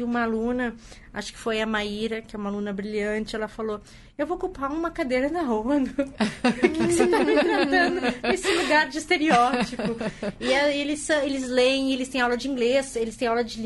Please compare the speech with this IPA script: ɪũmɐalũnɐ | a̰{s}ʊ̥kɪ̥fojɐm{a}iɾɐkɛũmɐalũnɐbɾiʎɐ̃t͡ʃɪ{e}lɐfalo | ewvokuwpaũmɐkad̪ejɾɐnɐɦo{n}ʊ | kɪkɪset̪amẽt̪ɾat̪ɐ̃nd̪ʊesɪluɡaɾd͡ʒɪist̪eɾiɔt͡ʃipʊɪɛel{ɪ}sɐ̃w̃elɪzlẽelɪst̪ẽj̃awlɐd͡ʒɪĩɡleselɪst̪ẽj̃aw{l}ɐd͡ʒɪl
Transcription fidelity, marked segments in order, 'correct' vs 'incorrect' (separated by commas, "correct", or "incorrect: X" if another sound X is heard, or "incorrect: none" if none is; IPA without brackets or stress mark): incorrect: ʃ, correct, incorrect: ɛ, correct, correct, correct